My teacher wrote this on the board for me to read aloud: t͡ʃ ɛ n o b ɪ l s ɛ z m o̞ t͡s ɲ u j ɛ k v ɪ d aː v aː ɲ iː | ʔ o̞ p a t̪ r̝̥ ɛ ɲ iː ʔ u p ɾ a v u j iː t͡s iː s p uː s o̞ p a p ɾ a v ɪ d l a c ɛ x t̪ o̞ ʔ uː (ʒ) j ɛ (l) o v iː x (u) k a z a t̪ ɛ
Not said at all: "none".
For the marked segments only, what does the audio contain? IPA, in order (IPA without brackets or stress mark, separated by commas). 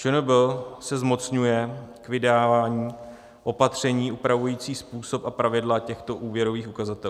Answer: v, ɾ, u